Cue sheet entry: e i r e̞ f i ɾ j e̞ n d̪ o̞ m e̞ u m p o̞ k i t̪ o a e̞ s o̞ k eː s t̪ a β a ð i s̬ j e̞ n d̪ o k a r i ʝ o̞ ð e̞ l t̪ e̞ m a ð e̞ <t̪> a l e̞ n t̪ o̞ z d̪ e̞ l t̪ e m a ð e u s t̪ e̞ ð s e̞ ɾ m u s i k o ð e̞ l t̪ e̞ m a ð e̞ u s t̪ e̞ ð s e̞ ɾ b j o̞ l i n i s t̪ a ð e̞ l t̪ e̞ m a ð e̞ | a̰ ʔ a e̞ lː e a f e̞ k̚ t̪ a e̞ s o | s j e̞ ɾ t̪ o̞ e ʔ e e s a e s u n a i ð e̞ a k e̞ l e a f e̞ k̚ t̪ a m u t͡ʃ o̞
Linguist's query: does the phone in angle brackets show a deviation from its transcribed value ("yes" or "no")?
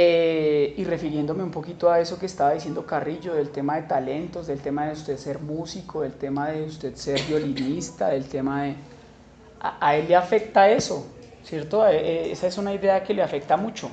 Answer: no